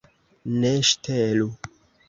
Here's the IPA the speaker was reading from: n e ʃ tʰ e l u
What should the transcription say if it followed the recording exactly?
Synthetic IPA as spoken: n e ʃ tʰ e l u